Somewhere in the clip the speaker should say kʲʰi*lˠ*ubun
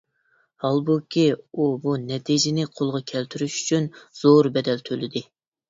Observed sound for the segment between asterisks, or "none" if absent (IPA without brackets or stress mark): none